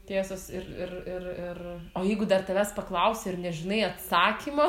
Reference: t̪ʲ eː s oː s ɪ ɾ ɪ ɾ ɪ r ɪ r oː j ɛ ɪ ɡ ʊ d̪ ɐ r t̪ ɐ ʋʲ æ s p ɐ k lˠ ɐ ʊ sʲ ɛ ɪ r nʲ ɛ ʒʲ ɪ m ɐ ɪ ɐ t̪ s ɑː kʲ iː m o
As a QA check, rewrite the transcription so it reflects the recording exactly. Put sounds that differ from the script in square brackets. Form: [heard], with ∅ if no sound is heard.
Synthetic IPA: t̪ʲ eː s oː s ɪ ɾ ɪ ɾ ɪ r ɪ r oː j ɛ ɪ ɡ ʊ d̪ ɐ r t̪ ɐ ʋʲ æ s p ɐ k lˠ ɐ ʊ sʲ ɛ ɪ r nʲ ɛ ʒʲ ɪ [n] ɐ ɪ ɐ t̪ s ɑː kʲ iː m o

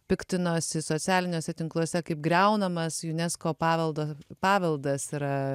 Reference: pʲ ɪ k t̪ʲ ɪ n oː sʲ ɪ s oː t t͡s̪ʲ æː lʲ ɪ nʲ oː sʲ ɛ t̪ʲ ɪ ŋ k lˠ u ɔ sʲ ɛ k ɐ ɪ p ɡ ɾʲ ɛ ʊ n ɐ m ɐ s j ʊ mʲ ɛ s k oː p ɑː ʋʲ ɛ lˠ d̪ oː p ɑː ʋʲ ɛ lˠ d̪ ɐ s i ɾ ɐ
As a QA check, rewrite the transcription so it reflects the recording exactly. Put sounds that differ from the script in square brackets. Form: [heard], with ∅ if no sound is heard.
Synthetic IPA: pʲ ɪ k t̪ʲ ɪ n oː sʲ ɪ s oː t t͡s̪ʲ æː lʲ ɪ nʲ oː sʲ ɛ t̪ʲ ɪ ŋ k lˠ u ɔ sʲ ɛ k ɐ ɪ p ɡ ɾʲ ɛ ʊ n ɐ m ɐ s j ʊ [nʲ] ɛ s k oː p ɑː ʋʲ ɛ lˠ d̪ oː p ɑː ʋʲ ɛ lˠ d̪ ɐ s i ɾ ɐ

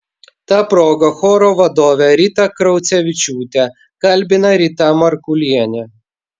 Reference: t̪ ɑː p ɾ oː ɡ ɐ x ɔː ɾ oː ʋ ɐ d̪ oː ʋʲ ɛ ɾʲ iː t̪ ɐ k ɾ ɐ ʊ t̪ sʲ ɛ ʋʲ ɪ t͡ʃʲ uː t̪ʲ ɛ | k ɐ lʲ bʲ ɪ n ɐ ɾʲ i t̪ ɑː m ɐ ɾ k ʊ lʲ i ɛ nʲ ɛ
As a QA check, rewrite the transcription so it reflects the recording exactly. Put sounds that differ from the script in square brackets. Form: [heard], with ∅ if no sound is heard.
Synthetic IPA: t̪ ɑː p ɾ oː ɡ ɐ x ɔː ɾ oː ʋ ɐ d̪ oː ʋʲ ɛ ɾʲ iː t̪ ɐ k ɾ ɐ ʊ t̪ sʲ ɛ ʋʲ ɪ t͡ʃʲ uː t̪ʲ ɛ | k ɐ lʲ bʲ ɪ n ɐ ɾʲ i t̪ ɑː m ɐ ɾ k ʊ lʲ i ɛ nʲ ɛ

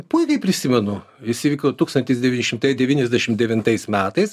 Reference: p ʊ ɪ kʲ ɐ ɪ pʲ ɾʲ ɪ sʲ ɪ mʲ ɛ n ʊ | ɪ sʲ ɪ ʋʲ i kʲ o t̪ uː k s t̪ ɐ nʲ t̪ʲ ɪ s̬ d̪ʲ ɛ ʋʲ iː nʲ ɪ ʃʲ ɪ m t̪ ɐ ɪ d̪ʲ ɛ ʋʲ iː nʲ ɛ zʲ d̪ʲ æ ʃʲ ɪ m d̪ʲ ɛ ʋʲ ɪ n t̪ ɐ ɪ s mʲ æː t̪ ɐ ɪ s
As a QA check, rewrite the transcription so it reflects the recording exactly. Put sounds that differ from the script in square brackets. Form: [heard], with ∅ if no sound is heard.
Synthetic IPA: p ʊ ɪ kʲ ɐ ɪ pʲ ɾʲ ɪ sʲ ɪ mʲ ɛ n ʊ | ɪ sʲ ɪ ʋʲ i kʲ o t̪ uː k s t̪ ɐ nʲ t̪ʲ ɪ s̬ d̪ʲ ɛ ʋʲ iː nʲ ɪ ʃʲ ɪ m t̪ ɐ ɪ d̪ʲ ɛ ʋʲ iː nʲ ɛ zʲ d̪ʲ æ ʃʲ ɪ m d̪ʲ ɛ ʋʲ ɪ n t̪ ɐ ɪ s mʲ æː t̪ ɐ ɪ s

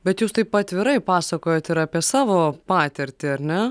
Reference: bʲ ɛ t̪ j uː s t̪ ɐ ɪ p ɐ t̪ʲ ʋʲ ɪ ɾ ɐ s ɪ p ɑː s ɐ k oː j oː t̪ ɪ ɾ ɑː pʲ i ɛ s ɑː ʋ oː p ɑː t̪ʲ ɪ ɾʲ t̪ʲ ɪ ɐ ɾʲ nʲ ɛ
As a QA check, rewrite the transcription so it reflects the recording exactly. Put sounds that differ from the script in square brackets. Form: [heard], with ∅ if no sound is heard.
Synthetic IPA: bʲ ɛ t̪ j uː s t̪ ɐ ɪ p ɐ t̪ʲ ʋʲ ɪ ɾ ɐ [∅] ɪ p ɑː s ɐ k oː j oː t̪ ɪ ɾ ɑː pʲ i ɛ s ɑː ʋ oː p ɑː t̪ʲ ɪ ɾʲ t̪ʲ ɪ ɐ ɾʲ nʲ ɛ

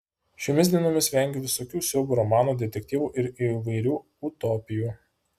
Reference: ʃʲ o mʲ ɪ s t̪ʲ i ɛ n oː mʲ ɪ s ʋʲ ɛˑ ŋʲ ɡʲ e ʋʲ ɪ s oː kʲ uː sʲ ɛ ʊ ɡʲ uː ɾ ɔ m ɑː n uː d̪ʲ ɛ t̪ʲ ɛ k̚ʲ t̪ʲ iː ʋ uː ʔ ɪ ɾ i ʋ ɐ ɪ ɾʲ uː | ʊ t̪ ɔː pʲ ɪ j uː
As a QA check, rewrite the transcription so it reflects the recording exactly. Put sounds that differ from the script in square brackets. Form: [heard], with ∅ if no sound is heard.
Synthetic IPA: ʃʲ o mʲ ɪ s [d̪ʲ] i ɛ n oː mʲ ɪ s ʋʲ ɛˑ ŋʲ ɡʲ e ʋʲ ɪ s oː kʲ uː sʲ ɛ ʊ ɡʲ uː ɾ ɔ m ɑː n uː d̪ʲ ɛ t̪ʲ ɛ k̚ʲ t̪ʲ iː ʋ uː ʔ ɪ ɾ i ʋ ɐ ɪ ɾʲ uː | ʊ t̪ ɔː pʲ ɪ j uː

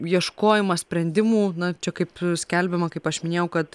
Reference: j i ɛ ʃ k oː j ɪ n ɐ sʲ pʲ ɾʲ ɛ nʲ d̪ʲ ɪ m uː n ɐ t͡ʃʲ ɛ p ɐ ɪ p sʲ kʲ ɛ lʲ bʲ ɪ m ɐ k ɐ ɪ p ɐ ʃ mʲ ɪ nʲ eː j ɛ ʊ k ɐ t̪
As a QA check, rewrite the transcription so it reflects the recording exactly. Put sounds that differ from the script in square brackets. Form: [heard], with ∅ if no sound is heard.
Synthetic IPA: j i ɛ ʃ k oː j ɪ [m] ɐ sʲ pʲ ɾʲ ɛ nʲ d̪ʲ ɪ m uː n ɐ t͡ʃʲ ɛ [k] ɐ ɪ p sʲ kʲ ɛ lʲ bʲ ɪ m ɐ k ɐ ɪ p ɐ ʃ mʲ ɪ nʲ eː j ɛ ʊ k ɐ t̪

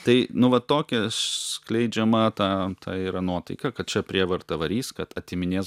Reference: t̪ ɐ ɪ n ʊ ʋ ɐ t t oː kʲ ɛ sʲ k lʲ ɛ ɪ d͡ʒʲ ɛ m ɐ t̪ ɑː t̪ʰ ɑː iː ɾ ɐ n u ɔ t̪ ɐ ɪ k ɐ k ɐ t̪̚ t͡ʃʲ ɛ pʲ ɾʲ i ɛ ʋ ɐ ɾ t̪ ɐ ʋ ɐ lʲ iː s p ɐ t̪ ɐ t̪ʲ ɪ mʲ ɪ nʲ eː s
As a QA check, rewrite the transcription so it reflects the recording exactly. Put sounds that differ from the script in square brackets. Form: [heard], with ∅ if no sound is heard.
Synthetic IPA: t̪ ɐ ɪ n ʊ ʋ ɐ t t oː kʲ ɛ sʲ k lʲ ɛ ɪ d͡ʒʲ ɛ m ɐ t̪ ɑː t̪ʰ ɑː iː ɾ ɐ n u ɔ t̪ ɐ ɪ k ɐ k ɐ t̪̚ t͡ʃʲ ɛ pʲ ɾʲ i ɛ ʋ ɐ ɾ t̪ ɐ ʋ ɐ [ɾʲ] iː s [k] ɐ t̪ ɐ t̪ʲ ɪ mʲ ɪ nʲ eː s

